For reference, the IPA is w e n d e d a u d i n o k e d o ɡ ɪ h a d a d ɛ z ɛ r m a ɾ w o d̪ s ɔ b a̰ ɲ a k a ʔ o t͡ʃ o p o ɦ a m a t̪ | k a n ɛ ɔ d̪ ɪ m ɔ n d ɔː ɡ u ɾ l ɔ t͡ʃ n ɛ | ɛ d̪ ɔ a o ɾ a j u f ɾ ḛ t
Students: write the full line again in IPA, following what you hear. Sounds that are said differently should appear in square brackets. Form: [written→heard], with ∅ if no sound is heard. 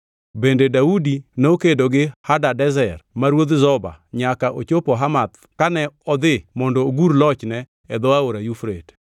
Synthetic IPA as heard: [w→b] e n d e d a u d i n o k e d o ɡ ɪ h a d a d ɛ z ɛ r m a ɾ w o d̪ [s→z] ɔ b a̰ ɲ a k a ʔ o t͡ʃ o p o ɦ a m a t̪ | k a n ɛ ɔ d̪ ɪ m ɔ n d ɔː ɡ u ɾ l ɔ t͡ʃ n ɛ | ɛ d̪ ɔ a o ɾ a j u f ɾ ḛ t